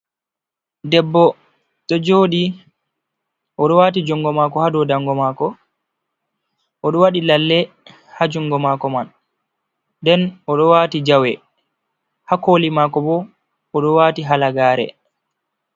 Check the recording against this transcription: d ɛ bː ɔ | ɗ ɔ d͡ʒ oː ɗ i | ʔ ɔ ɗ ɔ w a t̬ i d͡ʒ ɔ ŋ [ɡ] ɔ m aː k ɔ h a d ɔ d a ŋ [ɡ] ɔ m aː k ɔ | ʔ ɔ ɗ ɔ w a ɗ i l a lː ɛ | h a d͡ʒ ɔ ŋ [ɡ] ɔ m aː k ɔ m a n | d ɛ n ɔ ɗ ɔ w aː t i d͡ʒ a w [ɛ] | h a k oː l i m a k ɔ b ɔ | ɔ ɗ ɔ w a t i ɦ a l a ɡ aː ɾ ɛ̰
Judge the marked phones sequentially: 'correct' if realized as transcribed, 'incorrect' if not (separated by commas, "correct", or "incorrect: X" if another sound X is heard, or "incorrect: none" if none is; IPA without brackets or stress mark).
correct, correct, correct, correct